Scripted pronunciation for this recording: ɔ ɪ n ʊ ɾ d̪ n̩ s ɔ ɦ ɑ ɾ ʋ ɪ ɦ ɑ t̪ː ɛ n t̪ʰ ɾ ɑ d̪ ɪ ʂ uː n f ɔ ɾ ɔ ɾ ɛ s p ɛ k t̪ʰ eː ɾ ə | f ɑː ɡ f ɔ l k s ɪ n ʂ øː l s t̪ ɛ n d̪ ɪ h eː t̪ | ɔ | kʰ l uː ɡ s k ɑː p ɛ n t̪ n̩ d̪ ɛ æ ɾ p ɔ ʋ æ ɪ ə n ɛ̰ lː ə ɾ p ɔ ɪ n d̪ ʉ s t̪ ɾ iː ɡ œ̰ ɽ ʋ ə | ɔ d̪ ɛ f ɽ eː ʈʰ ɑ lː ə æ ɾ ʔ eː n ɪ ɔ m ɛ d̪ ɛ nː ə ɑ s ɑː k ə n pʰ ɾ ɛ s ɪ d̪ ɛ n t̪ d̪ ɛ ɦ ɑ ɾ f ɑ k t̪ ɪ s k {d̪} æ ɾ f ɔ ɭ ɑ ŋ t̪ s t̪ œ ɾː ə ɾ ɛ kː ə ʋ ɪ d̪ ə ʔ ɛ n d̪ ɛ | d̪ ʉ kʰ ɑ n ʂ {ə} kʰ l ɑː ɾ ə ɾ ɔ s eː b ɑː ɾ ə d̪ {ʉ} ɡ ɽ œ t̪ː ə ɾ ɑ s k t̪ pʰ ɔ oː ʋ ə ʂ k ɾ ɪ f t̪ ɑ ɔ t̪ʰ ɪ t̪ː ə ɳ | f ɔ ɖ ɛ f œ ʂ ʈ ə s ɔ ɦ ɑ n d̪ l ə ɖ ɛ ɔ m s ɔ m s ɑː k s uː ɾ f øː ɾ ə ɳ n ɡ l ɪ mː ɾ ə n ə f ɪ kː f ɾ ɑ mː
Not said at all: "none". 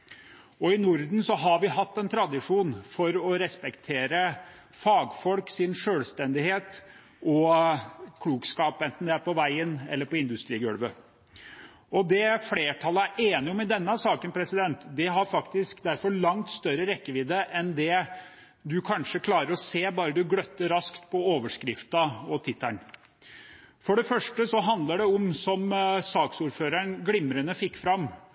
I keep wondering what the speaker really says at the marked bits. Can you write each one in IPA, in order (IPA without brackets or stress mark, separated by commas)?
d̪, ə, ʉ